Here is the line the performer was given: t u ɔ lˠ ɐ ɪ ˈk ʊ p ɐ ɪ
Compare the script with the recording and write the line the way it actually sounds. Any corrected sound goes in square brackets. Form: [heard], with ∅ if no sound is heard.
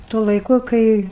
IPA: t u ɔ lˠ ɐ ɪ ˈk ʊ [k] ɐ ɪ